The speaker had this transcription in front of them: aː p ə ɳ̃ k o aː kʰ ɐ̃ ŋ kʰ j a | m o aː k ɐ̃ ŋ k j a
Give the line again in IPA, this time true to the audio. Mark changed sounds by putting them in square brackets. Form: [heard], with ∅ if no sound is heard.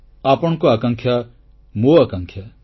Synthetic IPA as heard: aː p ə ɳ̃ k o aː [k] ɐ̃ ŋ kʰ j a | m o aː k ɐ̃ ŋ [kʰ] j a